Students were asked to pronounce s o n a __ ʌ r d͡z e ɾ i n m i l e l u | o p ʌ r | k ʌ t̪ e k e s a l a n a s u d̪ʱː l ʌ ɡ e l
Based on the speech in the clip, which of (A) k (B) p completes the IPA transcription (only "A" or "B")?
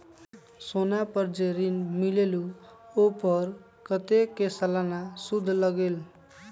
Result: B